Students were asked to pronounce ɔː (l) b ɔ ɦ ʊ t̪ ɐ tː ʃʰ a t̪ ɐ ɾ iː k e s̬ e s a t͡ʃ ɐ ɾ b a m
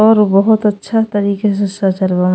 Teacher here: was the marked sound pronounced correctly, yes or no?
no